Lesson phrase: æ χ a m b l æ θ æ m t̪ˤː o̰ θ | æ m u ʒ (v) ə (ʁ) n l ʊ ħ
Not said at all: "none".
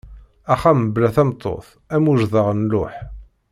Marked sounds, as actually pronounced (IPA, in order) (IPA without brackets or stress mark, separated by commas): ð, ʁ